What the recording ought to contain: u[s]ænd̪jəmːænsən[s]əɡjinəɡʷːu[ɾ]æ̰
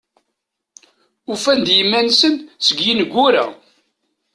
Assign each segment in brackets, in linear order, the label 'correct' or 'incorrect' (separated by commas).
incorrect, correct, correct